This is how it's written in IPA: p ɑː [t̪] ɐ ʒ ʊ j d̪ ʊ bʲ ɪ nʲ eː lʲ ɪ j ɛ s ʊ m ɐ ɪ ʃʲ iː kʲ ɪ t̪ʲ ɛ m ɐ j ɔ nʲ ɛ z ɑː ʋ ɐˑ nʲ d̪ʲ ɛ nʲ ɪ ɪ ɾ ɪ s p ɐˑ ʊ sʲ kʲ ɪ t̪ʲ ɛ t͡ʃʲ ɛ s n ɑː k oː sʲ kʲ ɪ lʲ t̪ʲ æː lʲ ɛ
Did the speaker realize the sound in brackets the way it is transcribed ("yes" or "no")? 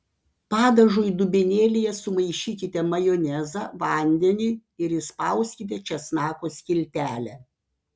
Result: no